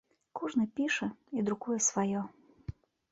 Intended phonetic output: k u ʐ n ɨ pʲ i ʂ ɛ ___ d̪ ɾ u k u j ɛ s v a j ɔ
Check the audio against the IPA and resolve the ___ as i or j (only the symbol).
i